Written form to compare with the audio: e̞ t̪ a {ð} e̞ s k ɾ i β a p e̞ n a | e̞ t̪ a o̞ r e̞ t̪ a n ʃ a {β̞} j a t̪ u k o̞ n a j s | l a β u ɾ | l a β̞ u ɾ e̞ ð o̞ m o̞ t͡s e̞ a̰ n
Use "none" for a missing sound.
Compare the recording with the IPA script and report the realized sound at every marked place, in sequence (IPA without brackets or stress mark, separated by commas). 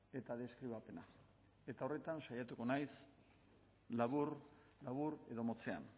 ð, none